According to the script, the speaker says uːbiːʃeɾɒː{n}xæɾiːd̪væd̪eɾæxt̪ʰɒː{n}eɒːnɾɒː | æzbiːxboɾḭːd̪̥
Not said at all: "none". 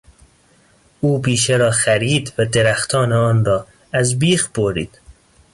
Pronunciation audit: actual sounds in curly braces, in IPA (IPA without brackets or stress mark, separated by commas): none, n